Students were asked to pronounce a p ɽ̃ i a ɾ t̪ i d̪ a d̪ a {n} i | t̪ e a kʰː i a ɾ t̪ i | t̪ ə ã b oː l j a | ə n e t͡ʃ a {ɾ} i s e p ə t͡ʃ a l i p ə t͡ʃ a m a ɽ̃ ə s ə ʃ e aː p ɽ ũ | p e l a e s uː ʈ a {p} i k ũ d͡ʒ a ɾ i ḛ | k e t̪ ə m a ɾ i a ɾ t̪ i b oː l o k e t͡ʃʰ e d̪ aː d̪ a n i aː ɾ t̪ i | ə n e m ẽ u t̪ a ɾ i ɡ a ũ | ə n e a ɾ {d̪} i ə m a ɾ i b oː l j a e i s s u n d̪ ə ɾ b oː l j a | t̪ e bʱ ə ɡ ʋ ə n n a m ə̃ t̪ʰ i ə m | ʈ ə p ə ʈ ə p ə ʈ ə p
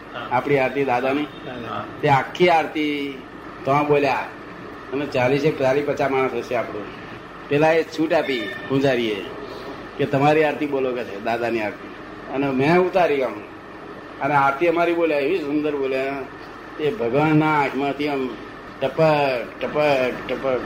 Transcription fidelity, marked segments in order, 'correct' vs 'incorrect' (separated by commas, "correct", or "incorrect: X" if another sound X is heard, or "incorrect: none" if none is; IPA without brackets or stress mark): correct, incorrect: l, correct, incorrect: t̪